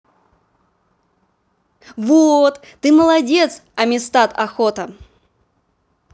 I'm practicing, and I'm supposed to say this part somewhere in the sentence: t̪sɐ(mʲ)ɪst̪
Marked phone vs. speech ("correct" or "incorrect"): correct